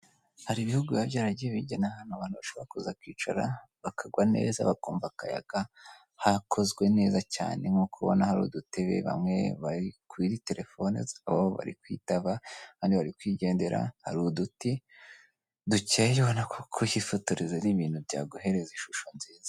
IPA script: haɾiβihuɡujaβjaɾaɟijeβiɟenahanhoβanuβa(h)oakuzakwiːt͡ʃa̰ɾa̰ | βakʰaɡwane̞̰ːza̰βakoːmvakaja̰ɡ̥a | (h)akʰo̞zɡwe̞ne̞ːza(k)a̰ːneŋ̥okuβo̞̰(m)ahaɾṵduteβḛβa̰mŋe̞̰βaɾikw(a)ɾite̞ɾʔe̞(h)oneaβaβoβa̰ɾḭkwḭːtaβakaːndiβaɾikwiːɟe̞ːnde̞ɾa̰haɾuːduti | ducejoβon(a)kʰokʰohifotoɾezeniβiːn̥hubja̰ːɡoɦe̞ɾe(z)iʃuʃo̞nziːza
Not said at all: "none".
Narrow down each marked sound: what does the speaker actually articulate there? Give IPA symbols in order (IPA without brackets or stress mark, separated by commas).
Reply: ʃ, h, c, n, i, f, a, z